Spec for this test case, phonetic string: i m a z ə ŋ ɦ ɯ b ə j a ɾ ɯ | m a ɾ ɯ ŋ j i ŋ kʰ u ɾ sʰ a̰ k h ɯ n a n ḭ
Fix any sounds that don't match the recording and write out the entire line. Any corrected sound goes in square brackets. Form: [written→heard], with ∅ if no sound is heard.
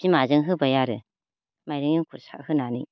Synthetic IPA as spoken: i m a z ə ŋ ɦ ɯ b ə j a ɾ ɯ | m a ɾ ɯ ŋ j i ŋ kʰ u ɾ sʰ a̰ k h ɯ n a n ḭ